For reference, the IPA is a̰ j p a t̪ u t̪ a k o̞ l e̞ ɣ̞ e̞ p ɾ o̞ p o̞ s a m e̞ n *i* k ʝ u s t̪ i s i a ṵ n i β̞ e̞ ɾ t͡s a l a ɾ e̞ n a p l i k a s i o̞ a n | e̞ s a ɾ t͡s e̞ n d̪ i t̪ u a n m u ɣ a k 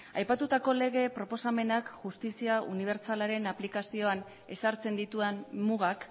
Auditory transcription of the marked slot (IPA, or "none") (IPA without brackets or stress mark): a